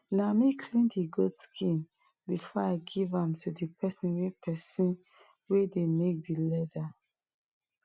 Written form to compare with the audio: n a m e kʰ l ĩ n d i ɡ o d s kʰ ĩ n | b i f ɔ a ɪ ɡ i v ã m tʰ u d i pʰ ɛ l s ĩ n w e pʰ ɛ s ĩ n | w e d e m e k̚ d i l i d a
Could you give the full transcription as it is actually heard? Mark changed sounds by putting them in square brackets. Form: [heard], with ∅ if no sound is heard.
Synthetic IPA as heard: n a m [i] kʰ l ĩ n d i ɡ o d s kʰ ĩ n | b i f ɔ a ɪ ɡ i v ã m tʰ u d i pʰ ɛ [∅] s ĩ n w e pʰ ɛ s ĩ n | w e d e m e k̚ d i l [ɛ] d a